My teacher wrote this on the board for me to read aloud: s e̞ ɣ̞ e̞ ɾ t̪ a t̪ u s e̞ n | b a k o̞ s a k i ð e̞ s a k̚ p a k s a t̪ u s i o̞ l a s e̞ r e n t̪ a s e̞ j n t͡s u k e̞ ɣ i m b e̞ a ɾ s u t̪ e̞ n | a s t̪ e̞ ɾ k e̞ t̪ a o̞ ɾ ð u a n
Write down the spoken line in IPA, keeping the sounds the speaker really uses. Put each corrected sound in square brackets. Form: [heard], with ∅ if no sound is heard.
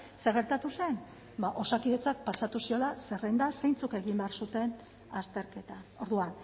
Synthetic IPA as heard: s e̞ ɣ̞ e̞ ɾ t̪ a t̪ u s e̞ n | b a [ʔ] o̞ s a k i ð e̞ [t͡s] a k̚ p a [∅] s a t̪ u s i o̞ l a s e̞ r e n [d̪] a s e̞ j n t͡s u k e̞ ɣ i m b e̞ a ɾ s u t̪ e̞ n | a s t̪ e̞ ɾ k e̞ t̪ a o̞ ɾ ð u a n